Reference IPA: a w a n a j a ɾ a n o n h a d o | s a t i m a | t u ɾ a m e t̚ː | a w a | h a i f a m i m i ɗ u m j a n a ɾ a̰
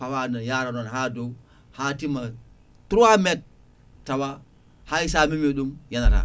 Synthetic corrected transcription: a w a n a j a ɾ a n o n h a d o | h a t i m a | t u ɾ a m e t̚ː | a w a | h a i s a m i m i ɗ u m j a n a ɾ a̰